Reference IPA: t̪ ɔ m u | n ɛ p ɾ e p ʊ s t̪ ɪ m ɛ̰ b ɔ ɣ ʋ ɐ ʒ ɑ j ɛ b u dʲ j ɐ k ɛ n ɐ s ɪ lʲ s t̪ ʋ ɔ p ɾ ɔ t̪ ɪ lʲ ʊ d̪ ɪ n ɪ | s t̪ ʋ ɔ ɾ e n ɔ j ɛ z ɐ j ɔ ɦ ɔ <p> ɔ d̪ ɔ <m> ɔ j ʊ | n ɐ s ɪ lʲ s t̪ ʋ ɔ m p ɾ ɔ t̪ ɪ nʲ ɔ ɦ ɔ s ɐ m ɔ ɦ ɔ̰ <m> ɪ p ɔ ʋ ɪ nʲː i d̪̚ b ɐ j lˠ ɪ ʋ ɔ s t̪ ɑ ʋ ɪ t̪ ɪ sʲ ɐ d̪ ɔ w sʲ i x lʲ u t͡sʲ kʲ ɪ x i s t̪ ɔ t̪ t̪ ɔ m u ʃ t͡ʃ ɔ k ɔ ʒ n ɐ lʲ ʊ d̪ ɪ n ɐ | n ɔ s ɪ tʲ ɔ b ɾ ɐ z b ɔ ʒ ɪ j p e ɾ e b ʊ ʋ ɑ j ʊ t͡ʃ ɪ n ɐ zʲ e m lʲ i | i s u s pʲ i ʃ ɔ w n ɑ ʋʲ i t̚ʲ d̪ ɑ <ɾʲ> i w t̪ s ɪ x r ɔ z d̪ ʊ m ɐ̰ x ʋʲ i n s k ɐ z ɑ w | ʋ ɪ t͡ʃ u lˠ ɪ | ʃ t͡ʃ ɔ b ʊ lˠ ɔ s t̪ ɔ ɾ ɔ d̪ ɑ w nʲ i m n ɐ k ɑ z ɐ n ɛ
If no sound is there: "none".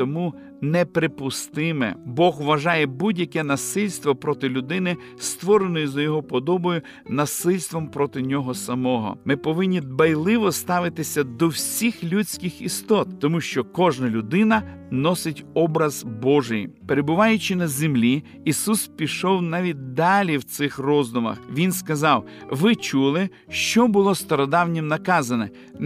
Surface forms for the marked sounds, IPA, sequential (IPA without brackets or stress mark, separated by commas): p, b, m, lʲ